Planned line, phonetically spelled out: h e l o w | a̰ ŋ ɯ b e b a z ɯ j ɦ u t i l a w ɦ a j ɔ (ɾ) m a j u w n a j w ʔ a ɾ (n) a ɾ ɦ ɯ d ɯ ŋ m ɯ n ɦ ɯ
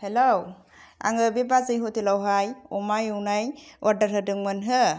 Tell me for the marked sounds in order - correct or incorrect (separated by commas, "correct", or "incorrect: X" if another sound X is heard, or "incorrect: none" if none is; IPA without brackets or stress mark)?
incorrect: none, incorrect: d